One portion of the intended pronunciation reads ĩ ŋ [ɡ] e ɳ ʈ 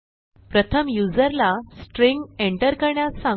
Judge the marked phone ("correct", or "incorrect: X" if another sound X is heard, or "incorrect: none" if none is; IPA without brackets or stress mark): correct